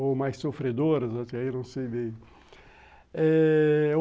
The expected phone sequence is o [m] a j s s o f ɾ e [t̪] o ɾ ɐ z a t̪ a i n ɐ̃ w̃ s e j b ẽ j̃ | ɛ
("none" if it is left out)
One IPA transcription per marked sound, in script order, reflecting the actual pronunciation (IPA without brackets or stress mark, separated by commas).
m, d̪